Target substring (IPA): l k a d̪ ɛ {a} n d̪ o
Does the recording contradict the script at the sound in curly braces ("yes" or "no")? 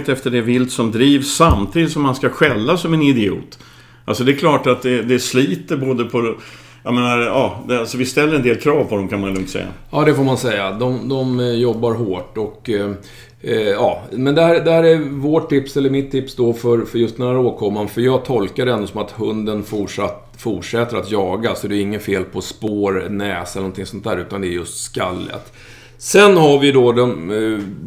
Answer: yes